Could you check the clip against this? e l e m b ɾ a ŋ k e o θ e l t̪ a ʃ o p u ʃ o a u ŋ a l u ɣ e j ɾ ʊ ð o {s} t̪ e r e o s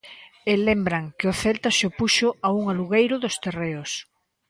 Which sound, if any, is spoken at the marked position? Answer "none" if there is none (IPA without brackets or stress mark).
s